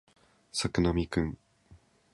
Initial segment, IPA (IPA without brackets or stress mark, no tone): s